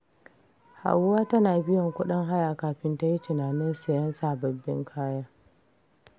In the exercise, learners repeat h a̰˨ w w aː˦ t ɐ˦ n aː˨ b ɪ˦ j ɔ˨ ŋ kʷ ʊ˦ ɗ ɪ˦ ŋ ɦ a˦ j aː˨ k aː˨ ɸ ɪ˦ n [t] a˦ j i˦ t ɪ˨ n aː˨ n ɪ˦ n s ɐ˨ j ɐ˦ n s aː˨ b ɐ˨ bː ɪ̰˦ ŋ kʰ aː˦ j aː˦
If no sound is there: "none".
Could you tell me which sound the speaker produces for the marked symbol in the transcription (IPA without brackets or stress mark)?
t